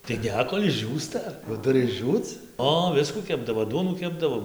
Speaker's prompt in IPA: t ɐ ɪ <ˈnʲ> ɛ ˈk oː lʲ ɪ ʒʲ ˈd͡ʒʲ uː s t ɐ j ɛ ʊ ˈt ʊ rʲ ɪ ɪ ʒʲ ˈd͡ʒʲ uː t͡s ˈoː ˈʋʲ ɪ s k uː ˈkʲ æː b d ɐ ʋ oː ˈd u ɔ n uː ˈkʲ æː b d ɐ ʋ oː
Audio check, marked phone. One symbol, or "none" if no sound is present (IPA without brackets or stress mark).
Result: nʲ